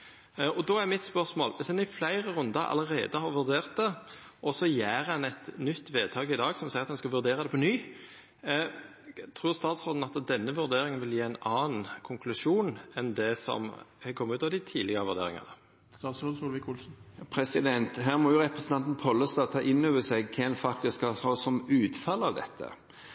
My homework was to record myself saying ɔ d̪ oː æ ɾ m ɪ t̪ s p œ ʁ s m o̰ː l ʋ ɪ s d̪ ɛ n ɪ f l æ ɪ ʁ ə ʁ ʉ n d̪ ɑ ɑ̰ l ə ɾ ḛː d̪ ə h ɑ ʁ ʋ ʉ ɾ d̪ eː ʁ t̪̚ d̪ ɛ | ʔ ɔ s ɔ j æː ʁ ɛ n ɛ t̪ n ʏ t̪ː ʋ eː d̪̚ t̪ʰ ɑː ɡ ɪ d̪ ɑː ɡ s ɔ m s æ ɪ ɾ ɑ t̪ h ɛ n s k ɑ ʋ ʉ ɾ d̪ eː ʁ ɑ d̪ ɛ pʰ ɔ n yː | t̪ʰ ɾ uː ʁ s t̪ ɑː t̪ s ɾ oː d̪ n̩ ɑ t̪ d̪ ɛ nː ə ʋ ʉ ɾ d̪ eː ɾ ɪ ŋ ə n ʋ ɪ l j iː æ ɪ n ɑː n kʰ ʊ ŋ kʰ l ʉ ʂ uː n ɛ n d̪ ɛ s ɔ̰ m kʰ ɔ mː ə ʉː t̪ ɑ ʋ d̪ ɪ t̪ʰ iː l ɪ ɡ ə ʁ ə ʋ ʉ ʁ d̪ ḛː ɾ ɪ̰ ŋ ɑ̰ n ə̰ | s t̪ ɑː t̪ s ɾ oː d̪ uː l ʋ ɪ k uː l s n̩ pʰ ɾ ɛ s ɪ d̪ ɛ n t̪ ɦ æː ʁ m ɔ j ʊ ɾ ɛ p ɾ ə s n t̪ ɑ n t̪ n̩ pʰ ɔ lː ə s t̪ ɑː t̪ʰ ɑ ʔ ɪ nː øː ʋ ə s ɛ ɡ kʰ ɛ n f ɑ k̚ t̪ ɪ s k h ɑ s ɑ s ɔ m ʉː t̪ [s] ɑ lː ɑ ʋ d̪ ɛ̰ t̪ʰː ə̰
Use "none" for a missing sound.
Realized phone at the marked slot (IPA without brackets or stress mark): f